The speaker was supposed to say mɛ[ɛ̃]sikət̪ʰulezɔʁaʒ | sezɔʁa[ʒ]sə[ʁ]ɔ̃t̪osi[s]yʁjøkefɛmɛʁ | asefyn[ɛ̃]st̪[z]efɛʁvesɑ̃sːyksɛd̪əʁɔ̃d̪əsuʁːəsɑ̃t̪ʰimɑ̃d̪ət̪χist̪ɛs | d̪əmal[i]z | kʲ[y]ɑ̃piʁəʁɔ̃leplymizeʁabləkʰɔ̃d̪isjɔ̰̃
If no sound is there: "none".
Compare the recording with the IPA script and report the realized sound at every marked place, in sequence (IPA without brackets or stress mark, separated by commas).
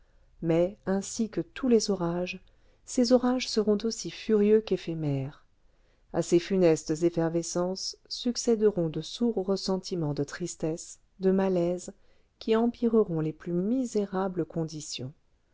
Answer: ɛ̃, ʒ, ʁ, f, ɛ, z, ɛ, i